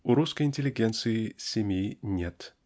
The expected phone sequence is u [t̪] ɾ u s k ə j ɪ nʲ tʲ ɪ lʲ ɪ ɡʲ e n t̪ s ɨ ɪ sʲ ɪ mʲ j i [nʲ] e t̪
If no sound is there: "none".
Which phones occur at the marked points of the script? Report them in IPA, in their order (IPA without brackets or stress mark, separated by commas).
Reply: none, nʲ